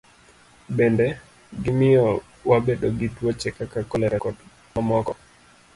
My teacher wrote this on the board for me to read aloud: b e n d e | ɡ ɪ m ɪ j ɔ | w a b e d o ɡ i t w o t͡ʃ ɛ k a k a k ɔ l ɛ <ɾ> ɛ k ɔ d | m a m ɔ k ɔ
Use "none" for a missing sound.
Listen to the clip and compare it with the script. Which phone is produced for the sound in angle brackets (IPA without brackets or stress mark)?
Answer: ɾ